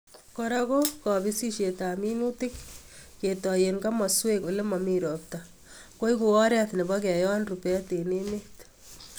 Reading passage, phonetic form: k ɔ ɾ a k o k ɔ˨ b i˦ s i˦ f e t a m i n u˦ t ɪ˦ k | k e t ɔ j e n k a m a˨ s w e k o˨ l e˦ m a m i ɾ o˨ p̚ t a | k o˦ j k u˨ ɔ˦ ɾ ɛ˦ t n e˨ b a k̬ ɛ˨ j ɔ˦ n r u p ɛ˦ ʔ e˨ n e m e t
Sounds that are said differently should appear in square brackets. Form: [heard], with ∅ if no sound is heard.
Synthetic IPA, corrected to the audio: k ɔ ɾ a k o k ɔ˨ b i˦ s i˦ [ʃ] e t a m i n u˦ t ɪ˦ k | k e t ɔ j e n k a m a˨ s w e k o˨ l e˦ m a m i ɾ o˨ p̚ t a | k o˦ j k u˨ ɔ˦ ɾ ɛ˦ t n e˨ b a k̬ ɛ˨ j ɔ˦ n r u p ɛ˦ [t] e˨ n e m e t

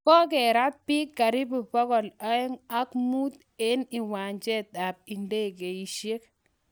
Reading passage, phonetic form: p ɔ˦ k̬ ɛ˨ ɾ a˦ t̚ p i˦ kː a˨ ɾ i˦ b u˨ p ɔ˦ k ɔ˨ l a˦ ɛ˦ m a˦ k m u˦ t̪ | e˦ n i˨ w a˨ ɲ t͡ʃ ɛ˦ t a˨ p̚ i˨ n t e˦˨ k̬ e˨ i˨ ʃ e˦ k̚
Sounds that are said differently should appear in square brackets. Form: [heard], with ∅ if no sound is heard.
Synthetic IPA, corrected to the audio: [k] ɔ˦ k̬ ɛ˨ ɾ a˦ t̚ p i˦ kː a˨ ɾ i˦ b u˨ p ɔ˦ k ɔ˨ l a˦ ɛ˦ [ŋ] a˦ k m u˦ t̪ | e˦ n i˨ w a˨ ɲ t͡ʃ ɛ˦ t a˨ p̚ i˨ n [d] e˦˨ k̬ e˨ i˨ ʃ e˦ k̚

